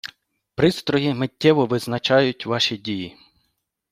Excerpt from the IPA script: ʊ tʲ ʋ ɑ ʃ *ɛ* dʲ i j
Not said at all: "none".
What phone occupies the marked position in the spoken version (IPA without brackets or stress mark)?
i